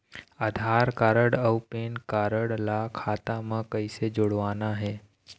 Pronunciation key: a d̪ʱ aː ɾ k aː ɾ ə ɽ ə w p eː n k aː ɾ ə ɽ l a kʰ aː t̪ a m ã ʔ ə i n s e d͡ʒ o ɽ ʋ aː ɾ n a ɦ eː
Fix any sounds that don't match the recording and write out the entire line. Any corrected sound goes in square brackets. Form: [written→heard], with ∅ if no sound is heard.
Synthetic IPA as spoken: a d̪ʱ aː ɾ k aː ɾ ə ɽ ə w p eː n k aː ɾ ə ɽ l a kʰ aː t̪ a m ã [ʔ→k] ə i [n→∅] s e d͡ʒ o ɽ ʋ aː [ɾ→∅] n a ɦ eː

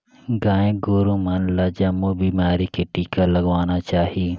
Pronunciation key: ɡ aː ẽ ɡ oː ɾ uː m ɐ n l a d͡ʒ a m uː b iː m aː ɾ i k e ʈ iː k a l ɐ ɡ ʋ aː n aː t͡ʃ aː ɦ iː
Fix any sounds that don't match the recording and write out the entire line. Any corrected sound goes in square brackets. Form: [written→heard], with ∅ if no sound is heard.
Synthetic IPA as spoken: ɡ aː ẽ ɡ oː ɾ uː m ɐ n l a d͡ʒ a m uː b iː m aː ɾ i k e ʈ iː k a l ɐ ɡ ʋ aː n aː t͡ʃ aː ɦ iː

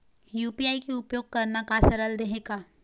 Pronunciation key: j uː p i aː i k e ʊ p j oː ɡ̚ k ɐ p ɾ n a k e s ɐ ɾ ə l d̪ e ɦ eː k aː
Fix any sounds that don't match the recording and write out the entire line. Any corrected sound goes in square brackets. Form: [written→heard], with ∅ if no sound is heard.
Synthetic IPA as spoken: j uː p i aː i k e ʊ p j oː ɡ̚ k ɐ [p→∅] ɾ n a k [e→a] s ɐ ɾ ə l d̪ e ɦ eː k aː

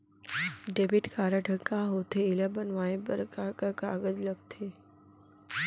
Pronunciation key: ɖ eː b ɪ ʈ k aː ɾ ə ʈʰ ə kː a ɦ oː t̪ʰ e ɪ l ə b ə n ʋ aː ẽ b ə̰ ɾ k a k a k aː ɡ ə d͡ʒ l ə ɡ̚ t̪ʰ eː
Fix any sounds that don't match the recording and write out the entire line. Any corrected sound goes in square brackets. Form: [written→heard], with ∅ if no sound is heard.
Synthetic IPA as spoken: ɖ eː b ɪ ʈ k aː ɾ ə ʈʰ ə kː a ɦ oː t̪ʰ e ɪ l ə b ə n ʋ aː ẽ b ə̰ ɾ k a k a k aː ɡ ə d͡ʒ l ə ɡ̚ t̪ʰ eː

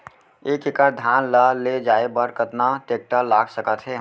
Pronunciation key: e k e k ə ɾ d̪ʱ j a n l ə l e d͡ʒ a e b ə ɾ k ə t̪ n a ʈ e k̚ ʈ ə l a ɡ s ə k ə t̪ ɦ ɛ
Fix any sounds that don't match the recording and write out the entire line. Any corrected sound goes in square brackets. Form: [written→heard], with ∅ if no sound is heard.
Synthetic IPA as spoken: e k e k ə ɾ d̪ʱ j a n l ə l e d͡ʒ a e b ə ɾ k ə t̪ n a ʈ e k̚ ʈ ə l a ɡ s ə k ə t̪ ɦ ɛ

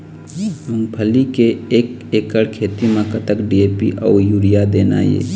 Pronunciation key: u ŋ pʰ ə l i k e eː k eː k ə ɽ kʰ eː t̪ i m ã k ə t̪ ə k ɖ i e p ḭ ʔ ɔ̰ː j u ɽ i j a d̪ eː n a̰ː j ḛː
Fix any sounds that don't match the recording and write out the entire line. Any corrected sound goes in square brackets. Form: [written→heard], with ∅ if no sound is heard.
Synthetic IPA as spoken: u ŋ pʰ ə l i k e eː k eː k ə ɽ kʰ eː t̪ i m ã k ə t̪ ə k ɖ i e p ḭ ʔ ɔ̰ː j u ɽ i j a d̪ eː n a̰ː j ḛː

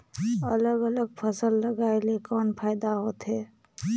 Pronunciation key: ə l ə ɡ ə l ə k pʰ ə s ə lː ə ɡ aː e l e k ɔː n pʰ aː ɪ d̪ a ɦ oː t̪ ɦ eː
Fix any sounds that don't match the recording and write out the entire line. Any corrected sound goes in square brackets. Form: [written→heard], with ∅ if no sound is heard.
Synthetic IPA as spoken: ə l ə ɡ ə l ə [k→ɡ] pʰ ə s ə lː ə ɡ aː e l e k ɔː n pʰ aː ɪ d̪ a ɦ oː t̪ ɦ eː

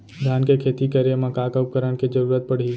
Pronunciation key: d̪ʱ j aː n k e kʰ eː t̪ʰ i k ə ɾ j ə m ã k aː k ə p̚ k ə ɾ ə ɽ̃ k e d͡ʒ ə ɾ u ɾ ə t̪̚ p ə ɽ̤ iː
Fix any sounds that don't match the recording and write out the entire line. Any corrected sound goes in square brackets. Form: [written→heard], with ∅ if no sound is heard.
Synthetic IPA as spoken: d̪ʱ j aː n k e kʰ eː [t̪ʰ→t̪] i k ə ɾ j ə m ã k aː k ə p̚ k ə ɾ ə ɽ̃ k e d͡ʒ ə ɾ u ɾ ə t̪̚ p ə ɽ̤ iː

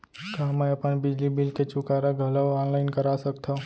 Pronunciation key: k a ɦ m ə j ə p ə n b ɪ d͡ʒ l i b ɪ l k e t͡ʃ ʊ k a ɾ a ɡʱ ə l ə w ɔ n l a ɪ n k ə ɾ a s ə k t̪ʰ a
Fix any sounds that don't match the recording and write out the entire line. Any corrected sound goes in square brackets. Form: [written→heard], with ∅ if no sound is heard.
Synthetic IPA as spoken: k a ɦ m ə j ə p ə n b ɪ d͡ʒ l i b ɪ l k e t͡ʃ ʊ k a ɾ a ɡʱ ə l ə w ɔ n l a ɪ n k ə ɾ a s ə k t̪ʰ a

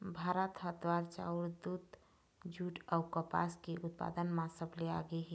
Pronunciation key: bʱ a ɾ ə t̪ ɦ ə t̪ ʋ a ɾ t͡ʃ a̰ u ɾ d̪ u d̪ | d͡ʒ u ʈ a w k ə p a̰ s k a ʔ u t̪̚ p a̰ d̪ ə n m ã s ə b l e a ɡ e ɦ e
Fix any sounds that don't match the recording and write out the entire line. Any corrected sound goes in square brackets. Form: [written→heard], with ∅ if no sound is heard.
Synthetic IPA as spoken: bʱ a ɾ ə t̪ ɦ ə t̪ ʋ a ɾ t͡ʃ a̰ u ɾ d̪ u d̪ | d͡ʒ u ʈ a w k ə p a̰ s k [a→e] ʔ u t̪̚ p a̰ d̪ ə n m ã s ə b l e a ɡ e ɦ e

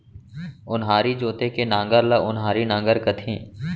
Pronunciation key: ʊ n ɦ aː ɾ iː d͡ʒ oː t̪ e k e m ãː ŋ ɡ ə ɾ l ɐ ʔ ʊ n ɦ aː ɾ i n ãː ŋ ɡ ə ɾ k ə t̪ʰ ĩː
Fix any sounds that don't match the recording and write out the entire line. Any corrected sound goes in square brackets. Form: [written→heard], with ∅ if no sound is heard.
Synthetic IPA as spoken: ʊ n ɦ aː ɾ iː d͡ʒ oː t̪ e k e [m→n] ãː ŋ ɡ ə ɾ l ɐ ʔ ʊ n ɦ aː ɾ i n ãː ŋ ɡ ə ɾ k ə t̪ʰ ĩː

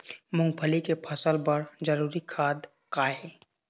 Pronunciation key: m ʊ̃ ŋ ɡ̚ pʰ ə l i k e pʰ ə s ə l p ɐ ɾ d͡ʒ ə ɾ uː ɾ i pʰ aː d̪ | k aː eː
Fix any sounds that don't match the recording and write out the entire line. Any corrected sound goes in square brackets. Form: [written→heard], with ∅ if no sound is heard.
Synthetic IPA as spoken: m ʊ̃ ŋ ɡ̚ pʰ ə l i k e pʰ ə s ə l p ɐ ɾ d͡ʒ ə ɾ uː ɾ i [pʰ→kʰ] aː d̪ | k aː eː

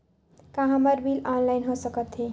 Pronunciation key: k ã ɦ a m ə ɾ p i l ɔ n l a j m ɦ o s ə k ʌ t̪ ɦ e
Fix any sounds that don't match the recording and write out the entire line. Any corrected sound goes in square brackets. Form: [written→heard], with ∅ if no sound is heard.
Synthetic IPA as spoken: k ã ɦ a m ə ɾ [p→b] i l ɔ n l a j [m→n] ɦ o s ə k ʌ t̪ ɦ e

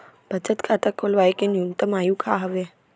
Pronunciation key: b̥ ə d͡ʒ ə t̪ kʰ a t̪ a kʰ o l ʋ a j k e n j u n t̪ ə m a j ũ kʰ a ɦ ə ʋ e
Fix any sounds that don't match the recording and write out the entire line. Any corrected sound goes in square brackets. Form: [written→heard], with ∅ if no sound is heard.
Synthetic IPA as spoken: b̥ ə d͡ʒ ə t̪ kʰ a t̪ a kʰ o l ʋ a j k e n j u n t̪ ə m a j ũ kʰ a ɦ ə ʋ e

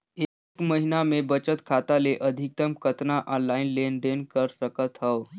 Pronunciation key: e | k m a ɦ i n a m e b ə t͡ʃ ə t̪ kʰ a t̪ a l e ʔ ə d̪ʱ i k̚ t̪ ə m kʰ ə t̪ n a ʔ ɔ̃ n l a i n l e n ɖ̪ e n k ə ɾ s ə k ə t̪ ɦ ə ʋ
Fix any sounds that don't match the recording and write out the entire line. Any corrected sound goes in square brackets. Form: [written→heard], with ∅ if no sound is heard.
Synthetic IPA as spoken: e | k m [a→ə] ɦ i n a m e b ə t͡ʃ ə t̪ kʰ a t̪ a l e ʔ ə d̪ʱ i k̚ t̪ ə m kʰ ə t̪ n a ʔ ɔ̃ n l a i n l e n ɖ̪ e n k ə ɾ s ə k ə t̪ ɦ ə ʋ

